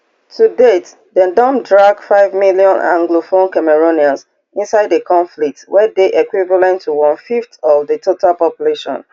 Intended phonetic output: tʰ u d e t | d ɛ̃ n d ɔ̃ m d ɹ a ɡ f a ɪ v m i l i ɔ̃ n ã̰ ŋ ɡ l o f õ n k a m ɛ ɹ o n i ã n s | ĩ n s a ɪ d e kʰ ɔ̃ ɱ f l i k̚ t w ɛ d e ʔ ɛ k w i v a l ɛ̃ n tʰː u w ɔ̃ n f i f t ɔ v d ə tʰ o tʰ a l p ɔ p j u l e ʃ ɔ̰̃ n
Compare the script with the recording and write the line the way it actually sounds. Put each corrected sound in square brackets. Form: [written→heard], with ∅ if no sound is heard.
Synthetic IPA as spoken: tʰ u d e t | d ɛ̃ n d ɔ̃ m d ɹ a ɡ f a ɪ v m i l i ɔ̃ n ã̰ ŋ ɡ l o f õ n k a m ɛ ɹ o n i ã n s | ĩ n s a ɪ d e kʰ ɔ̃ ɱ f l i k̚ t w ɛ d e ʔ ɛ k w i v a l ɛ̃ n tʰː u w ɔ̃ n f i f t ɔ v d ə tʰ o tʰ a l p ɔ p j u l e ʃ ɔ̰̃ n